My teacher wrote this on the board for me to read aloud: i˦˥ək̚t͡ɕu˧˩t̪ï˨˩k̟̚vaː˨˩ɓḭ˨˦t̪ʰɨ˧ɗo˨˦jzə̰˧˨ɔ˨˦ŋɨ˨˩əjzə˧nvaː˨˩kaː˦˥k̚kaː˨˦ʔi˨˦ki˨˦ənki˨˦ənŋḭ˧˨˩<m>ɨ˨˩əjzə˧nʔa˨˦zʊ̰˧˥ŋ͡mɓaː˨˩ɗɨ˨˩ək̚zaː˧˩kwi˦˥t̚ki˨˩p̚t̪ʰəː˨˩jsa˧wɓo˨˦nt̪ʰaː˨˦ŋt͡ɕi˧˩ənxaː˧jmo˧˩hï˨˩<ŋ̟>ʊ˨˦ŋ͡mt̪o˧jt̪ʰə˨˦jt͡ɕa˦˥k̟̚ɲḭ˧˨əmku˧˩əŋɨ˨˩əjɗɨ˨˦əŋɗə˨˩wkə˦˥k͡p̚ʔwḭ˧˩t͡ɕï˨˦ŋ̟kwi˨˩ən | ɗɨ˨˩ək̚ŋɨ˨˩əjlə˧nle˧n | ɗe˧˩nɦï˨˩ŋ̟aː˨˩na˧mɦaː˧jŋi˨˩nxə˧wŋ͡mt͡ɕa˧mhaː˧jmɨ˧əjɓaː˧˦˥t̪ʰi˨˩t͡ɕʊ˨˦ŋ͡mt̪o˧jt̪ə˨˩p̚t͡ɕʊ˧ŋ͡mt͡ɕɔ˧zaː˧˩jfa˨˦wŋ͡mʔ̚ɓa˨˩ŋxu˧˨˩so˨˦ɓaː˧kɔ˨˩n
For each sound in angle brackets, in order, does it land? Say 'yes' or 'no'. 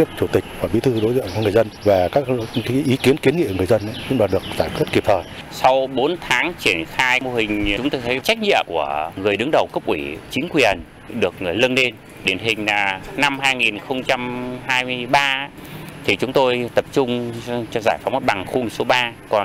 no, yes

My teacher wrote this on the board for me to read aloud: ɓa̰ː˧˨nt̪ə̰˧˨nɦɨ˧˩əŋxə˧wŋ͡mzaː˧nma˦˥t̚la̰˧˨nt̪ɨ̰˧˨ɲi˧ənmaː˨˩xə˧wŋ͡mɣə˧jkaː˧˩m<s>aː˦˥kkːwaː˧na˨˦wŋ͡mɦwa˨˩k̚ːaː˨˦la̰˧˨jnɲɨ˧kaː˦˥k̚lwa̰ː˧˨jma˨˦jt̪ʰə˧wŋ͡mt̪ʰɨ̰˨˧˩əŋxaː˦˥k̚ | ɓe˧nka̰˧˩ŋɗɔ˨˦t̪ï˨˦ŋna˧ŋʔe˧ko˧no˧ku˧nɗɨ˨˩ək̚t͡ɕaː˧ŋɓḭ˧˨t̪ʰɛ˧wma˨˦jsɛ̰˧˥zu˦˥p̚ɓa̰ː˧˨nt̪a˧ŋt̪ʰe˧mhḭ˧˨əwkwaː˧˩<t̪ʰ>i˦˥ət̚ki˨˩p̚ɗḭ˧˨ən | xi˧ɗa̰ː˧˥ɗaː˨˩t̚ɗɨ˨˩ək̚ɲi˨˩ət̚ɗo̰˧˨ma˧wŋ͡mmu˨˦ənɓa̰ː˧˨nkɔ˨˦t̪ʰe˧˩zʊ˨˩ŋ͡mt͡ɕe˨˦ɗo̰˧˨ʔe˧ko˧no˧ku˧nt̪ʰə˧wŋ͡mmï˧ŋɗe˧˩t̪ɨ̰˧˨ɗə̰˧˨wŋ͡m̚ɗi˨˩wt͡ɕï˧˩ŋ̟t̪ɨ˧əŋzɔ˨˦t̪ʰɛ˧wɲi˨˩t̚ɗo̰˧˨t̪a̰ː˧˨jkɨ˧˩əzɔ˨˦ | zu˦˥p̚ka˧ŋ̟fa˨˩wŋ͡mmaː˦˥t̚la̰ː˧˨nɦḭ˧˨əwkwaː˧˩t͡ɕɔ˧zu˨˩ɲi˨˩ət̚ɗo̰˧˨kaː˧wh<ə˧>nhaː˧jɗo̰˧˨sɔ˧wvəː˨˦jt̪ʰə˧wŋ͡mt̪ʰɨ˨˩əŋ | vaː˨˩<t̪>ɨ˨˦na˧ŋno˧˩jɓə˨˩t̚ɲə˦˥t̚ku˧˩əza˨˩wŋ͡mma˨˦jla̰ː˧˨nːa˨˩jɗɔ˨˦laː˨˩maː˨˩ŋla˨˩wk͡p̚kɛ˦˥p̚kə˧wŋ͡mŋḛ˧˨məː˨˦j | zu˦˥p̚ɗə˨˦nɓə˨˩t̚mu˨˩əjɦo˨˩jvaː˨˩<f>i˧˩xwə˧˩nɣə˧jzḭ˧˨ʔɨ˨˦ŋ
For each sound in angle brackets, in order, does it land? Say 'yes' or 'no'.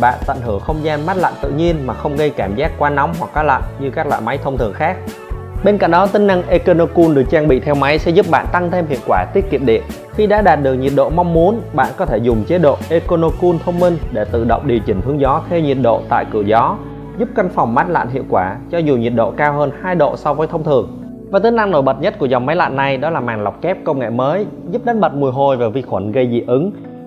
no, no, no, yes, no

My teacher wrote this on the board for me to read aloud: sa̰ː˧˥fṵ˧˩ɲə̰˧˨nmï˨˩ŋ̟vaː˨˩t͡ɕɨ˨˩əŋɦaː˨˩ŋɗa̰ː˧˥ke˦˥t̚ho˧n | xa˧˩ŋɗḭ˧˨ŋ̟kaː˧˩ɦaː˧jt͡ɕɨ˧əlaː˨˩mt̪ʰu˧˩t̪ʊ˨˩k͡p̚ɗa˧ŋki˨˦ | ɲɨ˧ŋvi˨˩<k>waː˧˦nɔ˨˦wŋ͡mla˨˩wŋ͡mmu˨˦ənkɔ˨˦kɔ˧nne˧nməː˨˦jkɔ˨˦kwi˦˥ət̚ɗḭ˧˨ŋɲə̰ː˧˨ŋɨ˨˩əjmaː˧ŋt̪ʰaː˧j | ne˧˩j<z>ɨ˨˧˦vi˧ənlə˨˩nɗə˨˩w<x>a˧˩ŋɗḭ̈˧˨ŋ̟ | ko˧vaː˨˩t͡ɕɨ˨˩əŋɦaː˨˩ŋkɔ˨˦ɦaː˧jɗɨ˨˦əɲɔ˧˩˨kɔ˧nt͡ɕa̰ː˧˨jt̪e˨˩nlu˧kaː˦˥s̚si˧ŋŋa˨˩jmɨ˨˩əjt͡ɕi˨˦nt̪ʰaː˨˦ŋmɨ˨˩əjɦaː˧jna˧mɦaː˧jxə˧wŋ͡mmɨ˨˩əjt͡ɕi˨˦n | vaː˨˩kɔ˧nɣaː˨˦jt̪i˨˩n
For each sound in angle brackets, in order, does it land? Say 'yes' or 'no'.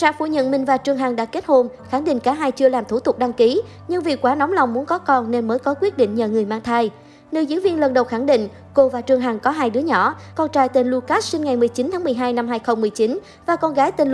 yes, yes, yes

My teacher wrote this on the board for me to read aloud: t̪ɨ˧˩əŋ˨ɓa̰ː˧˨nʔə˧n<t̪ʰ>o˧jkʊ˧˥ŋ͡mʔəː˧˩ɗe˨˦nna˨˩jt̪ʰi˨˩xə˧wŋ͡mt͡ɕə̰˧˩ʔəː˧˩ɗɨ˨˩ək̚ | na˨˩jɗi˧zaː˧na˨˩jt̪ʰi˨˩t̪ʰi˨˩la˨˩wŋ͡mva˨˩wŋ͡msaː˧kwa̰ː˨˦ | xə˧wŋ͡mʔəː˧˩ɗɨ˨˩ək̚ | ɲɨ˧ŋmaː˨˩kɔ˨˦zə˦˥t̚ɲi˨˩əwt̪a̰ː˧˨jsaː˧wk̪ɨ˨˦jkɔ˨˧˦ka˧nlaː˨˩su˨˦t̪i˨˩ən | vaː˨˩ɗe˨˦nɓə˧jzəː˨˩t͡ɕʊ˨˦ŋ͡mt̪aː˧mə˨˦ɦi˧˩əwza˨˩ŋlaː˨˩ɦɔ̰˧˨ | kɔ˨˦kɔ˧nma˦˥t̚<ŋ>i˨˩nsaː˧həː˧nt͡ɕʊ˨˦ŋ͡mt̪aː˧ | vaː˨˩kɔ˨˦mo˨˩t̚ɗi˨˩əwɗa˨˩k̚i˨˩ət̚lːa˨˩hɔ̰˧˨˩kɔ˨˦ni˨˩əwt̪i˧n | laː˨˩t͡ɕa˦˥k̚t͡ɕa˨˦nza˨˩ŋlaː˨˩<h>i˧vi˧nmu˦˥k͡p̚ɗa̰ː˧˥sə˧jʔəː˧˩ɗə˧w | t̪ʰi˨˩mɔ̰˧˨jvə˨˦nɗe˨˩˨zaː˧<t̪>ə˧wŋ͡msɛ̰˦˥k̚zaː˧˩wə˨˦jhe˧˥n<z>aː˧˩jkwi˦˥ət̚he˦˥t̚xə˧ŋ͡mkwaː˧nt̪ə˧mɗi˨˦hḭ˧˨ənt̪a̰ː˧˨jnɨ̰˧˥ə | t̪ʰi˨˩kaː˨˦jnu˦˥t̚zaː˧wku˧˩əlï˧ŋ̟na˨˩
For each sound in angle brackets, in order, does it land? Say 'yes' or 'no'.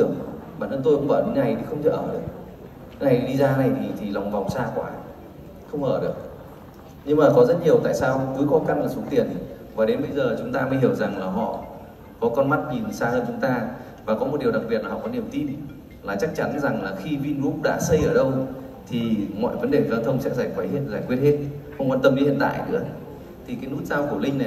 no, no, no, no, yes

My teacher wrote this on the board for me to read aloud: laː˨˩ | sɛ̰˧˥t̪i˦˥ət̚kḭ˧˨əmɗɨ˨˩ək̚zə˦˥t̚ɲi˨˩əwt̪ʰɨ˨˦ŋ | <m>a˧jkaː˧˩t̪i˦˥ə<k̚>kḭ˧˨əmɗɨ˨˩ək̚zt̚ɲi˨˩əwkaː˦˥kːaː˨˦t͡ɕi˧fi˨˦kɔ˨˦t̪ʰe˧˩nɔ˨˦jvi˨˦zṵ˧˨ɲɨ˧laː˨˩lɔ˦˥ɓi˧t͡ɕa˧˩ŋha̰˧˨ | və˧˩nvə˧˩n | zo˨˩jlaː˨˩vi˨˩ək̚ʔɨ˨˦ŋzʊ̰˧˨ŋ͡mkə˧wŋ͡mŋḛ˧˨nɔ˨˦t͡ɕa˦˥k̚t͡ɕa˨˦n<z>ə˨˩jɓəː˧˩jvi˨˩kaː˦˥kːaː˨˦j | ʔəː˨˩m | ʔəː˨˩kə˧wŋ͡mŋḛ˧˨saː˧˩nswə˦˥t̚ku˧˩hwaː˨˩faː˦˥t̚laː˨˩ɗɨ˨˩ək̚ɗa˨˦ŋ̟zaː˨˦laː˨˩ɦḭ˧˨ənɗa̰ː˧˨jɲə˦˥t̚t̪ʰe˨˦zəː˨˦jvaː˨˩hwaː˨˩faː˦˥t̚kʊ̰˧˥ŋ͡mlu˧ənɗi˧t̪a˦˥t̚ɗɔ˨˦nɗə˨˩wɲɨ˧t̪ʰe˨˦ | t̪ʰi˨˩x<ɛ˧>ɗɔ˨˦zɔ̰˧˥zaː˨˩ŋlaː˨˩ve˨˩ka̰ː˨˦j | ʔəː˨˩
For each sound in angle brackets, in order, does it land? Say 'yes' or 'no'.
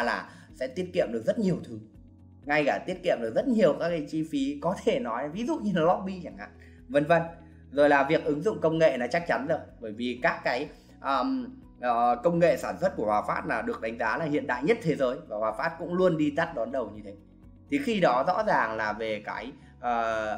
no, no, yes, no

